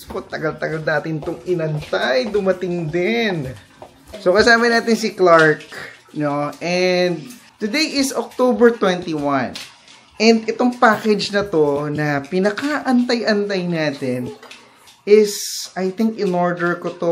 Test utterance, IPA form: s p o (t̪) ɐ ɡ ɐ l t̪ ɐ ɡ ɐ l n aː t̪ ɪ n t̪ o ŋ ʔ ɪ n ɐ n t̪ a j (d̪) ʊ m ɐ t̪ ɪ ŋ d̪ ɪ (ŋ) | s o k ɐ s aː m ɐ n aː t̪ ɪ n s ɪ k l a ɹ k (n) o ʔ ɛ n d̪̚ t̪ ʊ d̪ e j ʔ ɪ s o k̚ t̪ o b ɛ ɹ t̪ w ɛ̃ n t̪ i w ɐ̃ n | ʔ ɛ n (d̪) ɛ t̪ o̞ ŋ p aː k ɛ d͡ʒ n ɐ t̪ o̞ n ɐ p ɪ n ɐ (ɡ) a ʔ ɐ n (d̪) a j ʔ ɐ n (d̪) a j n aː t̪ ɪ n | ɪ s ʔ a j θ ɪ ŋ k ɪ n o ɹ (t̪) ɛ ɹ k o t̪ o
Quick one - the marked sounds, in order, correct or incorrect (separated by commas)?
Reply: correct, correct, incorrect, correct, correct, incorrect, incorrect, incorrect, incorrect